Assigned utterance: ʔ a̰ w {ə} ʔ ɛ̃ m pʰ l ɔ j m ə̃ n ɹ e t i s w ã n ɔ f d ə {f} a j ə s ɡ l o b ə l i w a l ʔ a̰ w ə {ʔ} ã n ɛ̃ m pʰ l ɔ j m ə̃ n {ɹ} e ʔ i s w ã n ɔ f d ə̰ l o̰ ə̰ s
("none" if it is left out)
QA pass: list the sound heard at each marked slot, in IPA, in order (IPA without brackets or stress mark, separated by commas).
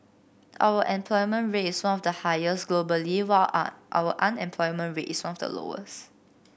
ə, h, ʔ, ɹ